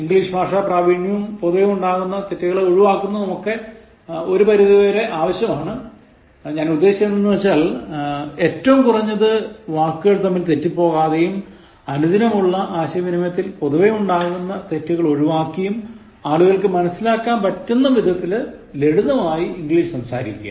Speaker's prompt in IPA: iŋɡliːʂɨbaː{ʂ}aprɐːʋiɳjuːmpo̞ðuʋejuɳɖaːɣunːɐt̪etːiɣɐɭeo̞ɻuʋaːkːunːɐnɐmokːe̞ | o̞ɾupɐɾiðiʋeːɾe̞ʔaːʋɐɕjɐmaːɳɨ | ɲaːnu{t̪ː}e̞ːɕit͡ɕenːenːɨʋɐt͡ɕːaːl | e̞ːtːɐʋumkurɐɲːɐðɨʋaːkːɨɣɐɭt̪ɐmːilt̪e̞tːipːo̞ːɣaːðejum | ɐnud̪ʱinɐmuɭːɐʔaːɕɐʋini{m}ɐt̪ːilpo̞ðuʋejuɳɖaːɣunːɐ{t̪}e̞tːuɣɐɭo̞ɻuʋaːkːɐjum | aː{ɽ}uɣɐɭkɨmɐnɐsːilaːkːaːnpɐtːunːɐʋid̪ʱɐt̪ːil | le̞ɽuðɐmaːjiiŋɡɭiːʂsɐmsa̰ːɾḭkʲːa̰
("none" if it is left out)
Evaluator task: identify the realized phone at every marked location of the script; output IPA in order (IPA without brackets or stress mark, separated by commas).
ʂ, d̪ː, m, t̪, ɭ